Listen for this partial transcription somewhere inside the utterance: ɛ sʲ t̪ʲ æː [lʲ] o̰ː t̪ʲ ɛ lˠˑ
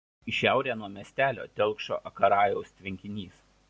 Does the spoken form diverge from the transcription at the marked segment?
no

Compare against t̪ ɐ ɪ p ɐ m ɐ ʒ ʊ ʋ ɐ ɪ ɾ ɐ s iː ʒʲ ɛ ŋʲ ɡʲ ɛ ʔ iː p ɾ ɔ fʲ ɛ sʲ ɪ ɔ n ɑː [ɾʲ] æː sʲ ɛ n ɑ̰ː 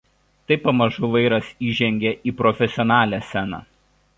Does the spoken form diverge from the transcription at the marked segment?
yes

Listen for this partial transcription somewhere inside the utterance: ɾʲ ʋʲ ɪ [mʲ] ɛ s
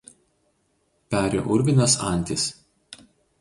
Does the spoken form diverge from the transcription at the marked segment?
yes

